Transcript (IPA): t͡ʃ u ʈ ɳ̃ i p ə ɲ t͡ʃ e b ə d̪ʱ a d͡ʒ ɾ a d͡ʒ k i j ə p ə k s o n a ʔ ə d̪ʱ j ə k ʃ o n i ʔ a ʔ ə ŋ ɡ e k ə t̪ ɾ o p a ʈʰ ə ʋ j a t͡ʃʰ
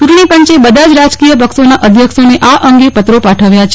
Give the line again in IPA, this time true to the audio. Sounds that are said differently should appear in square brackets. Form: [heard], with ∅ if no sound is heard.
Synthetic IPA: t͡ʃ u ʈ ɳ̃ i p ə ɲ t͡ʃ e b ə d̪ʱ a d͡ʒ ɾ a d͡ʒ k i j ə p ə k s o n a ʔ ə d̪ʱ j ə k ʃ o n [e] ʔ a ʔ ə ŋ ɡ e [p] ə t̪ ɾ o p a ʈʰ ə ʋ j a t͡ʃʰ